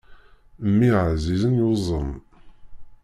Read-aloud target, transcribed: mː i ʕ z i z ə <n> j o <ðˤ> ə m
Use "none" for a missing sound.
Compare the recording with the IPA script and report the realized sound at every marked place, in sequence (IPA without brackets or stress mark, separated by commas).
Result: n, zˤ